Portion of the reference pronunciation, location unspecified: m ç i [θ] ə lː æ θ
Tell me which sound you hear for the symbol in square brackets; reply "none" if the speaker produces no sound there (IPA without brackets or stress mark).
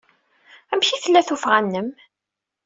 θ